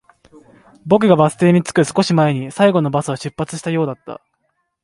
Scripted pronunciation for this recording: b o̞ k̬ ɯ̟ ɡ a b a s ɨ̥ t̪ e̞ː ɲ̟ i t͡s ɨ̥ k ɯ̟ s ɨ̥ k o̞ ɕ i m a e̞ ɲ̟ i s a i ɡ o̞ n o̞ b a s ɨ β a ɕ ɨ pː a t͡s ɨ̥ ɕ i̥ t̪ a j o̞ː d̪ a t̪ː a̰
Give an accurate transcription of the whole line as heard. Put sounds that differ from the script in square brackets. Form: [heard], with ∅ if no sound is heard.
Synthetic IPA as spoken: b o̞ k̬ ɯ̟ ɡ a b a s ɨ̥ t̪ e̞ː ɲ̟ i t͡s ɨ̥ k ɯ̟ s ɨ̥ k o̞ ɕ i m a e̞ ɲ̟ i s a i ɡ o̞ n o̞ b a s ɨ β a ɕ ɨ pː a t͡s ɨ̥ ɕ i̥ t̪ a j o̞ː d̪ a t̪ː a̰